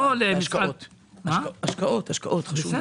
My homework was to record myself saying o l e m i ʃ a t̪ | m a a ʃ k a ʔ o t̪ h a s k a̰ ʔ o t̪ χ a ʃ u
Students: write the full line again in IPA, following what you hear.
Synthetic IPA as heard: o l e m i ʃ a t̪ | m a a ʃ k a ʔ o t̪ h a ʃ k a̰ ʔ o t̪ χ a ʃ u